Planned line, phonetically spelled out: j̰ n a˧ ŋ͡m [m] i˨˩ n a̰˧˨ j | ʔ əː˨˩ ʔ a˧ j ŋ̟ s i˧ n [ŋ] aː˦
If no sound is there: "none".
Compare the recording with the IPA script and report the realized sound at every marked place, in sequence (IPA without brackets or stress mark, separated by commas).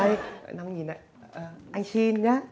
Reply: ɲ, ɲ